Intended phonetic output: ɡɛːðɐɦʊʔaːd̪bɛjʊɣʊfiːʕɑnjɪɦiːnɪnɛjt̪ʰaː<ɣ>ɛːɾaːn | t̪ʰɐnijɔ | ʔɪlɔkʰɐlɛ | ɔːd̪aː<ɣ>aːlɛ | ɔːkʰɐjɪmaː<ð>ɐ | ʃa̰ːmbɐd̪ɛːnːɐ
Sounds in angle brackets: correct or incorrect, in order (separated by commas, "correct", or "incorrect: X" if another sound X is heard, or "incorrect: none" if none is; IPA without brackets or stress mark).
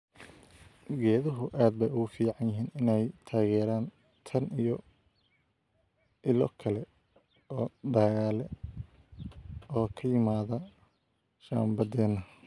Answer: correct, correct, correct